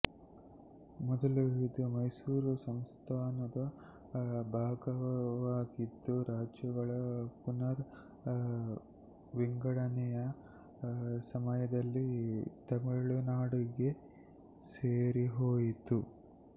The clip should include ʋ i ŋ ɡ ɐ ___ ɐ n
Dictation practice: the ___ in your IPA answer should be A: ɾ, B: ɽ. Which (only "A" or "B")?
B